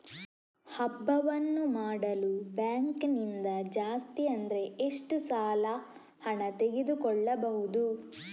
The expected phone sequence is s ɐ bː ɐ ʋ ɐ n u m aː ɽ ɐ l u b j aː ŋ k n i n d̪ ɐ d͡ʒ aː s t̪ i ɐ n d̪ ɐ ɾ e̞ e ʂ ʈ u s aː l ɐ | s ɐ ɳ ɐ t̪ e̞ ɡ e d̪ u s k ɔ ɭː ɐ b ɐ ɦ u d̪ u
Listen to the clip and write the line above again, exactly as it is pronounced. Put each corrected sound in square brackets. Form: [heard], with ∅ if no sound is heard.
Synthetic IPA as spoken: [h] ɐ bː ɐ ʋ ɐ [nː] u m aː ɽ ɐ l u b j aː ŋ k n i n d̪ ɐ d͡ʒ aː s t̪ i ɐ n d̪ ɐ ɾ e̞ e ʂ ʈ u s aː l ɐ | [h] ɐ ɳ ɐ t̪ e̞ ɡ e d̪ u [∅] k ɔ ɭː ɐ b ɐ ɦ u d̪ u